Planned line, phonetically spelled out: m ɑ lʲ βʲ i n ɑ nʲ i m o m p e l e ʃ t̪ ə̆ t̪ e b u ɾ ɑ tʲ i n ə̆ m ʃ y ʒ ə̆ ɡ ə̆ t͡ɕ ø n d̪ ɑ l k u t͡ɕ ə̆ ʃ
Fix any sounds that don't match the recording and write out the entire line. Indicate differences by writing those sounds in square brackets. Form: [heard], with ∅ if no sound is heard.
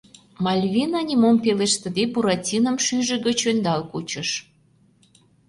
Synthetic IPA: m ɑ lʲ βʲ i n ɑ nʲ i m o m p e l e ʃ t̪ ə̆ [d̪] e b u ɾ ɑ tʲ i n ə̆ m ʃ y ʒ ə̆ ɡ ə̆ t͡ɕ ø n d̪ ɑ l k u t͡ɕ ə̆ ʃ